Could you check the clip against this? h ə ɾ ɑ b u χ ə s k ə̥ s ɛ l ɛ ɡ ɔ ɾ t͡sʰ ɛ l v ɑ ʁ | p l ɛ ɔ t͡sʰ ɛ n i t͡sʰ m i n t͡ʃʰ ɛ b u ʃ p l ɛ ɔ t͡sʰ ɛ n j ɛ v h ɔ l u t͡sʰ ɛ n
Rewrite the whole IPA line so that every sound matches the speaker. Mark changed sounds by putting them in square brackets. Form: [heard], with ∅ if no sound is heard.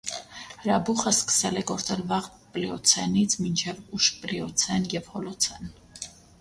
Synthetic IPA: h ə ɾ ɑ b u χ ə s k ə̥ s ɛ l ɛ ɡ ɔ ɾ [t͡s] ɛ l v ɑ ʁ | p l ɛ ɔ t͡sʰ ɛ n i t͡sʰ m i n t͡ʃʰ ɛ [v] u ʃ p l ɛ ɔ t͡sʰ ɛ n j ɛ v h ɔ l [ɔ] t͡sʰ ɛ n

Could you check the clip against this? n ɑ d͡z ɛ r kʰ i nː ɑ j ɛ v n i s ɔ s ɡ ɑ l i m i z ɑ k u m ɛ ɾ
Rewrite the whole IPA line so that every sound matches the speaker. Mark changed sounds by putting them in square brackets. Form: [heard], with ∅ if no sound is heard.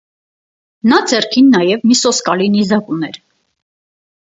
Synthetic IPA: n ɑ d͡z ɛ r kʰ i nː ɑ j ɛ v [m] i s ɔ s [k] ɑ l i [n] i z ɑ k u [n] ɛ ɾ

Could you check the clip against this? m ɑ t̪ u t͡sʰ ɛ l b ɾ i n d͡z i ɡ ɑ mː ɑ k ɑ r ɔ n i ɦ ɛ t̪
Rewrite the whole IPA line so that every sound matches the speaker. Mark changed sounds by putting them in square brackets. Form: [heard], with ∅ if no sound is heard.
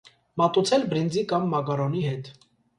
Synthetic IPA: m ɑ t̪ u t͡sʰ ɛ l b ɾ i n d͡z i [k] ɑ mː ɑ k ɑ [ɾ] ɔ n i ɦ ɛ t̪

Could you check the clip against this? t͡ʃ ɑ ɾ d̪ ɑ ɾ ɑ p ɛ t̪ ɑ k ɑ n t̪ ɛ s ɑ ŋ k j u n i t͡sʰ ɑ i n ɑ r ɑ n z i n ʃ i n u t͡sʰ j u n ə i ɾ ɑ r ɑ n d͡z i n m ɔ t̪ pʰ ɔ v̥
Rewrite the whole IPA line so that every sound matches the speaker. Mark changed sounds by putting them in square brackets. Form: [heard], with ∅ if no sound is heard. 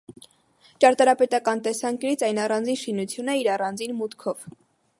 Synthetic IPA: t͡ʃ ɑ ɾ [t̪] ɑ ɾ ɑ p ɛ t̪ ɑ k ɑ n t̪ ɛ s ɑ ŋ k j u n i t͡sʰ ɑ [j] n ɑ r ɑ n [d͡z] i n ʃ i n u t͡sʰ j u n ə i ɾ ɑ r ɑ n d͡z i n m [u] t̪ [kʰ] ɔ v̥

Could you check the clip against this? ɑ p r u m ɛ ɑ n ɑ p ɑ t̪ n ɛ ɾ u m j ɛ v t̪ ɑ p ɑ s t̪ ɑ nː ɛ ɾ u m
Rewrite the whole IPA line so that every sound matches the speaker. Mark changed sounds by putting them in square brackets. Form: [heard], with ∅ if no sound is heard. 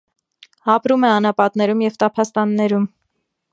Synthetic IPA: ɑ p [ɾ] u m ɛ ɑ n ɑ p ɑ t̪ n ɛ ɾ u m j ɛ v t̪ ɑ [pʰ] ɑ s t̪ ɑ nː ɛ ɾ u m

